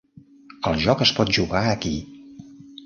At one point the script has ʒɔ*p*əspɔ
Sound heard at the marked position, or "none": k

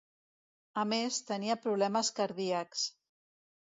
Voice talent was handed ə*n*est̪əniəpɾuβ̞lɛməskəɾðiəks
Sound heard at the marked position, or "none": m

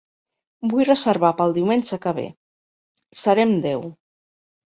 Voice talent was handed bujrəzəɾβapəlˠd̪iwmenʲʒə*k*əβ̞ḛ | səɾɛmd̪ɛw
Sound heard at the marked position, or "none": k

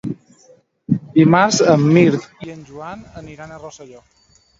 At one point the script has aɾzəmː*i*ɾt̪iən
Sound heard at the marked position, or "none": i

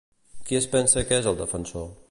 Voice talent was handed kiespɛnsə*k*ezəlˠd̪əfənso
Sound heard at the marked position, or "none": k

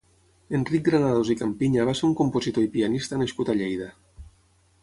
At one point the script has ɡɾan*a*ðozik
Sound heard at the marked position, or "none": a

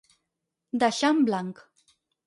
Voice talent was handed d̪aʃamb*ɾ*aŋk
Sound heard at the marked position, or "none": l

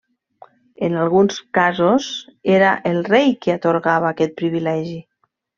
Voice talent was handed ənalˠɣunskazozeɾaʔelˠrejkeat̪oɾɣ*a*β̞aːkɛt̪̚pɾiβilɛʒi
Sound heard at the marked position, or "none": a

